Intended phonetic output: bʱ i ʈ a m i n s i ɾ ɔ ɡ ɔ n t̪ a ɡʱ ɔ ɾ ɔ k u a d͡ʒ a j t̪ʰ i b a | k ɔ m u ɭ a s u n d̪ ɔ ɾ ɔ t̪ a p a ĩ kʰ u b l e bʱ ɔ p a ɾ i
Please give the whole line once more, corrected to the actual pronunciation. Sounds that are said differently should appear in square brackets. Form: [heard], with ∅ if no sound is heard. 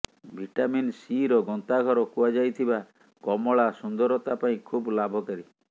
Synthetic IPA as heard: bʱ i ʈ a m i n s i ɾ ɔ ɡ ɔ n t̪ a ɡʱ ɔ ɾ ɔ k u a d͡ʒ a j t̪ʰ i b a | k ɔ m [ɔ] ɭ a s u n d̪ ɔ ɾ ɔ t̪ a p a ĩ kʰ u b l [a] bʱ ɔ [k] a ɾ i

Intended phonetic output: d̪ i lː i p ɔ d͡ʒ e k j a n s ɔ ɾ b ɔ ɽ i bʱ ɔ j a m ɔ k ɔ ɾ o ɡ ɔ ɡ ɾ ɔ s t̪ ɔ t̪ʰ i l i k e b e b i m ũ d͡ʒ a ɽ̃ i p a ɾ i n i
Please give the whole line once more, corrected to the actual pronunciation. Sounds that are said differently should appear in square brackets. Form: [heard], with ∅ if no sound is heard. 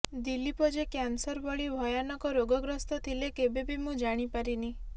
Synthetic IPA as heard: d̪ i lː i p ɔ d͡ʒ e k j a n s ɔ ɾ b ɔ [ɭ] i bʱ ɔ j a [n] ɔ k ɔ ɾ o ɡ ɔ ɡ ɾ ɔ s t̪ ɔ t̪ʰ i l [e] k e b e b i m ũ d͡ʒ a ɽ̃ i p a ɾ i n i

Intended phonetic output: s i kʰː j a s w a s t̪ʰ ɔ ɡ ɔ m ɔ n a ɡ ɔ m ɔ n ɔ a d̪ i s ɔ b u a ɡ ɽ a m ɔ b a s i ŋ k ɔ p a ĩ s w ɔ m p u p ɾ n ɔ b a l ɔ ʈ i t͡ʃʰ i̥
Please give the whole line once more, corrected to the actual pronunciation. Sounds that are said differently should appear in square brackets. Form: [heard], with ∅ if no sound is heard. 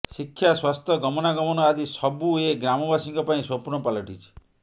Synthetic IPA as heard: s i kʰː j a s w a s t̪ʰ ɔ ɡ ɔ m ɔ n a ɡ ɔ m ɔ n ɔ a d̪ i s ɔ b u [e] ɡ [ɾ] a m ɔ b a s i ŋ k ɔ p a ĩ s w ɔ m p u [∅] ɾ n ɔ [p] a l ɔ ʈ i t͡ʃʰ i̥

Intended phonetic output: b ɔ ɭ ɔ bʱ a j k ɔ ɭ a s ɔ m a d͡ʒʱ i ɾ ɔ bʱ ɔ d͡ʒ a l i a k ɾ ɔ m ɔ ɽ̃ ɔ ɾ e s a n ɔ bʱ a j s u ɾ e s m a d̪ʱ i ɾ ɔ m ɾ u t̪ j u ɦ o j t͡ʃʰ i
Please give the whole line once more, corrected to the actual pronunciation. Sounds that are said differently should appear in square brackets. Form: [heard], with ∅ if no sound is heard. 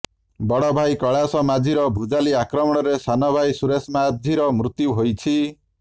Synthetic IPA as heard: b ɔ [ɽ] ɔ bʱ a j k ɔ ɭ a s ɔ m a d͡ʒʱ i ɾ ɔ bʱ [u] d͡ʒ a l i a k ɾ ɔ m ɔ ɽ̃ ɔ ɾ e s a n ɔ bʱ a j s u ɾ e s m a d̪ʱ i ɾ ɔ m ɾ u t̪ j u ɦ o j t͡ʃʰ i

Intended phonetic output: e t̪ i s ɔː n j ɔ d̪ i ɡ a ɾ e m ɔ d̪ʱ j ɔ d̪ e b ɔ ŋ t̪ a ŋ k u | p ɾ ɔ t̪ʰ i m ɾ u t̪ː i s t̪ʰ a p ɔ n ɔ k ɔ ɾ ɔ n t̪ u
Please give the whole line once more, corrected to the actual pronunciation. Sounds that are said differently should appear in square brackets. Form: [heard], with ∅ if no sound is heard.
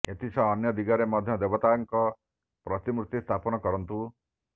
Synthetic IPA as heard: e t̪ i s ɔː n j ɔ d̪ i ɡ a ɾ e m ɔ d̪ʱ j ɔ d̪ e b ɔ [∅] t̪ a ŋ k [ɔ] | p ɾ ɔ [t̪] i m ɾ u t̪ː i s t̪ʰ a p ɔ n ɔ k ɔ ɾ ɔ n t̪ u

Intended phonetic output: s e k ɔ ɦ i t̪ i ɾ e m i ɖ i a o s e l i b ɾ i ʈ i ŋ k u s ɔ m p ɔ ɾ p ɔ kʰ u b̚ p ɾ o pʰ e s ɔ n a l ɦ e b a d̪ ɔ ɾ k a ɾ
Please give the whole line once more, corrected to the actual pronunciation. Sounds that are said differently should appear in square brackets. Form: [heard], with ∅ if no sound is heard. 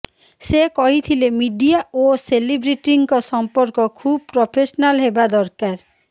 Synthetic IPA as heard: s e k ɔ ɦ i [t̪ʰ] i [l] e m i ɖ i a o s e l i b ɾ i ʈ i ŋ k [ɔ] s ɔ m p ɔ ɾ [k] ɔ kʰ u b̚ p ɾ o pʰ e s ɔ n a l ɦ e b a d̪ ɔ ɾ k a ɾ

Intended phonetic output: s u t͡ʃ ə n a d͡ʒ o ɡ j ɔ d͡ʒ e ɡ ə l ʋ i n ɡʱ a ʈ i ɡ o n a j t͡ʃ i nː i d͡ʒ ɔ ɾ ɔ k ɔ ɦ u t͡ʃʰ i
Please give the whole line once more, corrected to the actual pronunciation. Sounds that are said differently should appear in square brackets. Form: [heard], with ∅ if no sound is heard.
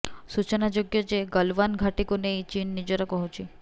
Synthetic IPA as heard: s u t͡ʃ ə n a d͡ʒ o ɡ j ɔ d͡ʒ e ɡ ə l ʋ [a] n ɡʱ a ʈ i [k] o n [e] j t͡ʃ i nː i d͡ʒ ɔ ɾ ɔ k ɔ ɦ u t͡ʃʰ i

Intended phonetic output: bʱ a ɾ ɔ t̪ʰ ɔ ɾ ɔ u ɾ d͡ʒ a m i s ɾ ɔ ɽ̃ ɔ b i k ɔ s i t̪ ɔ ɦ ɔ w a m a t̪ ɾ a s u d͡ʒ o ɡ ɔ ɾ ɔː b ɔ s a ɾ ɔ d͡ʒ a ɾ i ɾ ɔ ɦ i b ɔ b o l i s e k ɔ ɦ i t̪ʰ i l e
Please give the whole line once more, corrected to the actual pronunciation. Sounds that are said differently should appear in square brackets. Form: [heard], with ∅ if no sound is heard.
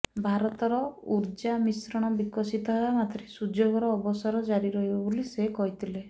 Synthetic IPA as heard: bʱ a ɾ ɔ [t̪] ɔ ɾ ɔ u ɾ d͡ʒ a m i s ɾ ɔ ɽ̃ ɔ b i k ɔ s i t̪ ɔ ɦ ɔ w a m a t̪ ɾ [e] s u d͡ʒ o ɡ ɔ ɾ ɔː b ɔ s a ɾ ɔ d͡ʒ a ɾ i ɾ ɔ ɦ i b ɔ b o l i s e k ɔ ɦ i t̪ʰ i l e

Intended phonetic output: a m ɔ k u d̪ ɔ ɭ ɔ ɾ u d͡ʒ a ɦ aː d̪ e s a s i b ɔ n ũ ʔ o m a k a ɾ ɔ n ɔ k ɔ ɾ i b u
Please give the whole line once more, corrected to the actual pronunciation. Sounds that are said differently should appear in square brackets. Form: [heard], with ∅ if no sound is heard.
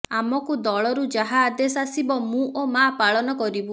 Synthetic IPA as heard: a m ɔ k u d̪ ɔ ɭ ɔ ɾ u d͡ʒ a ɦ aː d̪ e s a s i b ɔ [m] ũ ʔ o m a [p] a [ɭ] ɔ n ɔ k ɔ ɾ i b u

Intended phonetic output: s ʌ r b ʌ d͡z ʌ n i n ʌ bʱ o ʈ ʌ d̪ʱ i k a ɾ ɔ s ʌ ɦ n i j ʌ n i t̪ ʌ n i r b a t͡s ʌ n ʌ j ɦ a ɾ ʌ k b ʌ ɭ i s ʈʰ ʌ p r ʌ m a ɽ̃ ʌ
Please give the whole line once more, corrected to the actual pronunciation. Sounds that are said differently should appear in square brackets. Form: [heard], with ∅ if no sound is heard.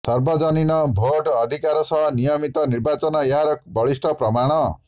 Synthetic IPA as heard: s ʌ r b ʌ d͡z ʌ n i n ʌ bʱ o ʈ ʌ d̪ʱ i k a ɾ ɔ s ʌ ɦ n i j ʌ [m] i t̪ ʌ n i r b a t͡s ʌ n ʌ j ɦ a ɾ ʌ k b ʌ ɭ i s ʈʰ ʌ p r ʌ m a ɽ̃ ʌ

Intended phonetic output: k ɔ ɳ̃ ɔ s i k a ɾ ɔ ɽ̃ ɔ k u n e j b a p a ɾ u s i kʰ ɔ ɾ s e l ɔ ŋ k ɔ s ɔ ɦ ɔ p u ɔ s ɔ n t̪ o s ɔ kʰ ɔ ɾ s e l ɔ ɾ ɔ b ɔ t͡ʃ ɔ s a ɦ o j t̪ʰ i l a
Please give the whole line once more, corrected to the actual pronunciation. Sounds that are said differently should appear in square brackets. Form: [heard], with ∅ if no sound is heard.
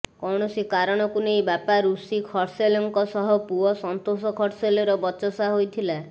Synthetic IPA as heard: k ɔ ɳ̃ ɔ s i k a ɾ ɔ ɽ̃ ɔ k u n e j b a p a ɾ u s i kʰ ɔ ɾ s e l ɔ ŋ k ɔ s ɔ ɦ ɔ p u ɔ s ɔ n t̪ o s ɔ kʰ ɔ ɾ s e l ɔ ɾ ɔ b ɔ t͡ʃ ɔ s a ɦ o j t̪ʰ i l a

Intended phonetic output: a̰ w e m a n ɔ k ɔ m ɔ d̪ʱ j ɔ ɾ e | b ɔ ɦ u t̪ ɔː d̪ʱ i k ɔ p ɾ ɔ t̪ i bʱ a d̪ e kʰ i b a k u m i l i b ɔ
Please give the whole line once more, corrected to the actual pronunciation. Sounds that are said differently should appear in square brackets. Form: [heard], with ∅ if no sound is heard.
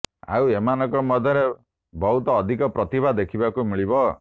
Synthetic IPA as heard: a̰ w e m a n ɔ k ɔ m ɔ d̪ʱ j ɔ ɾ e | b ɔ ɦ u t̪ ɔː d̪ʱ i k ɔ p ɾ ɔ t̪ i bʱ a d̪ e kʰ i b a k u m i [ɭ] i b ɔ

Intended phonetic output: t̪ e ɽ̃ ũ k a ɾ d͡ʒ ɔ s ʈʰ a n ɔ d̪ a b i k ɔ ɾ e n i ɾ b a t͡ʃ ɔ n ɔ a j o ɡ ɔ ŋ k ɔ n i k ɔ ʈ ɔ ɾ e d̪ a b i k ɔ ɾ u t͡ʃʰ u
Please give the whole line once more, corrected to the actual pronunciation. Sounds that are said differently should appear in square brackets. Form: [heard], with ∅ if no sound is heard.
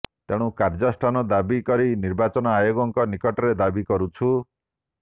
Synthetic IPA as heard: t̪ e ɽ̃ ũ k a ɾ d͡ʒ ɔ s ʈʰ a n ɔ d̪ a b i k ɔ ɾ [i] n i ɾ b a t͡ʃ ɔ n ɔ a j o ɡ ɔ ŋ k ɔ n i k ɔ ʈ ɔ ɾ e d̪ a b i k ɔ ɾ u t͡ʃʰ u

